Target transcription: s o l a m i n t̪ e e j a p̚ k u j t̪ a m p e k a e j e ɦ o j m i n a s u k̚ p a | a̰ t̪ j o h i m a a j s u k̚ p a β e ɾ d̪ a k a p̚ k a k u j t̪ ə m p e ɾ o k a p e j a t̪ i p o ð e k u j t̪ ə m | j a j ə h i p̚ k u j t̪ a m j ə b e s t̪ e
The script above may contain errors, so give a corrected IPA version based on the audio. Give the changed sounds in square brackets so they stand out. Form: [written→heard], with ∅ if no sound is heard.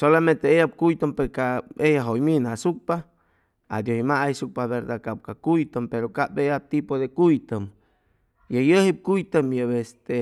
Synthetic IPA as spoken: s o l a m [i→e] n t̪ e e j a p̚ k u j t̪ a m p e k a e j [e→a] ɦ o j m i n a s u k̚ p a | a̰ [t̪→d̪] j o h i m a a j s u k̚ p a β e ɾ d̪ a k a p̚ k a k u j t̪ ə m p e ɾ o k a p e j a t̪ i p o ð e k u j t̪ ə m | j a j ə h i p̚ k u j t̪ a m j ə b e s t̪ e